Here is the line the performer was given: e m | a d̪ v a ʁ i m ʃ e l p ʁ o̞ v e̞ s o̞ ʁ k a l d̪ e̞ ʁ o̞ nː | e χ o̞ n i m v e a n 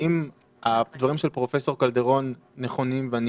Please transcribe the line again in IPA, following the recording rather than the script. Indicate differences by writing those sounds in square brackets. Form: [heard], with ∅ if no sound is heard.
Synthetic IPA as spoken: [i] m | a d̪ v a ʁ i m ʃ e l p ʁ o̞ [f] e̞ s o̞ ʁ k a l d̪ e̞ ʁ o̞ nː | e χ o̞ n i m v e a n